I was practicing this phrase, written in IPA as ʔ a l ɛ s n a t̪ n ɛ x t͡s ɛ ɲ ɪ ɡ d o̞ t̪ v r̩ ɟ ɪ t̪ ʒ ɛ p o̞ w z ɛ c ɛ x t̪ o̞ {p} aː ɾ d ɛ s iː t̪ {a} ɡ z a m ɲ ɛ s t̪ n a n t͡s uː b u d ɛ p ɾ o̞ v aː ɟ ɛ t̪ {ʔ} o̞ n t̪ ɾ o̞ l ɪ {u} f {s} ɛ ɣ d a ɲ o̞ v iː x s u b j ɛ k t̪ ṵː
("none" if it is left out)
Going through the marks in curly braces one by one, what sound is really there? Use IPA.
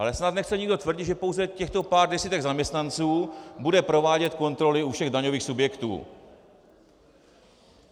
p, ɛ, k, u, ʃ

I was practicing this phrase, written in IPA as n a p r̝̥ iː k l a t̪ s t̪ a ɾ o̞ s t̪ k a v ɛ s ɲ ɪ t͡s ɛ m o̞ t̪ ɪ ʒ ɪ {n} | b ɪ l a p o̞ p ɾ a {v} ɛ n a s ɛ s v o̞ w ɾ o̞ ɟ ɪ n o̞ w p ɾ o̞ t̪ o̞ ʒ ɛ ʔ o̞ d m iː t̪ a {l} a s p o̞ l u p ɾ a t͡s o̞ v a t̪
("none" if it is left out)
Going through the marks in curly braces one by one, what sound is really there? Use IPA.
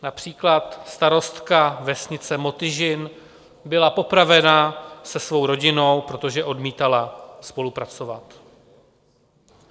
n, v, l

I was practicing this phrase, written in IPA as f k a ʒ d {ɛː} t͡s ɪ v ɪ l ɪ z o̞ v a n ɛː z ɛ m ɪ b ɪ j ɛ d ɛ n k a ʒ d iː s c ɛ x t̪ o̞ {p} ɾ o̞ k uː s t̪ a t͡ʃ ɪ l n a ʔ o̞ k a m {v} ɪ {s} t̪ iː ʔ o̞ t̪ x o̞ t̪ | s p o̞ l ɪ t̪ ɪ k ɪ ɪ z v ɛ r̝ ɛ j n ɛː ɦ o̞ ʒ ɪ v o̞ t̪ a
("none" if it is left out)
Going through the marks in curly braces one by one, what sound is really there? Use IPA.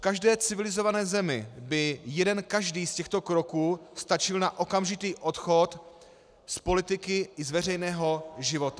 ɛː, k, ʒ, none

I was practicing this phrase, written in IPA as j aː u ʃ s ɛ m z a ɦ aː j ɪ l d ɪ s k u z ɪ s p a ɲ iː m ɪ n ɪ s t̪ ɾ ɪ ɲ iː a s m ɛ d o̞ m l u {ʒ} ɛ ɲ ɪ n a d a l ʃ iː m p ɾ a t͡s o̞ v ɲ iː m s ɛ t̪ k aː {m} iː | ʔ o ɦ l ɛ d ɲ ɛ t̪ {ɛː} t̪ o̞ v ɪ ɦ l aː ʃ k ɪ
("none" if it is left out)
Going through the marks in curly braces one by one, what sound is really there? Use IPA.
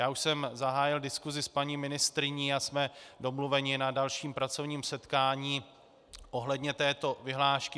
v, ɲ, ɛː

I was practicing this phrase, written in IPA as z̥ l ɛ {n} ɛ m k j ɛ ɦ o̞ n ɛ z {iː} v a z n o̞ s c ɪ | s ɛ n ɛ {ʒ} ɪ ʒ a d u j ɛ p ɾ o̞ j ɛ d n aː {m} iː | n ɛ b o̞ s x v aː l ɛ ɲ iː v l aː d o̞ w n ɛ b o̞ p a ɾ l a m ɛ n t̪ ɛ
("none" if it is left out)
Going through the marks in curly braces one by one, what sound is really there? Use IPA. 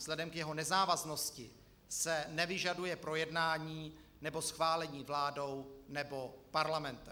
d, aː, v, ɲ

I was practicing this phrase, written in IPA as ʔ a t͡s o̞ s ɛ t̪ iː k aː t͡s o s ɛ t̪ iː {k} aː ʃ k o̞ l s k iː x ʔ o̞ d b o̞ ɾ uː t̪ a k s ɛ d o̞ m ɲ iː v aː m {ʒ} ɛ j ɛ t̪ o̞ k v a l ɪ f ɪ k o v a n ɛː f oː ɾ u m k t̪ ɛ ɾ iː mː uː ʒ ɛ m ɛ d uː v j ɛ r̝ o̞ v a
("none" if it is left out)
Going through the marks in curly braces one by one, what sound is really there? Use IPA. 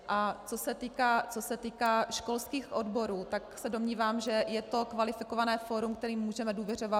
k, ʒ

